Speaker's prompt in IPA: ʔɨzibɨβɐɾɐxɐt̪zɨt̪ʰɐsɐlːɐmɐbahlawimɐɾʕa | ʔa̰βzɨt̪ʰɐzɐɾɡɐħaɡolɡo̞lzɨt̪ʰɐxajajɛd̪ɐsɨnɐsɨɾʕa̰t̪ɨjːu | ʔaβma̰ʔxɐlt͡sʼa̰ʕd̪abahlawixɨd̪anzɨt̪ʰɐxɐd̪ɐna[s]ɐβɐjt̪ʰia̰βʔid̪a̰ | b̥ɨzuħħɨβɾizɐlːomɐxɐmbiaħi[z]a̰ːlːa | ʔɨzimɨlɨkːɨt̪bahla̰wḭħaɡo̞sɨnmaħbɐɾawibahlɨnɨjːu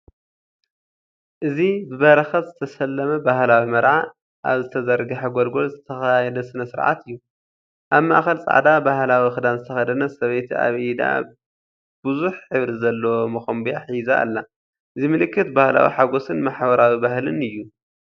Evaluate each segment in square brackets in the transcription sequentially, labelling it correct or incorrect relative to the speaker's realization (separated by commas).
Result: correct, correct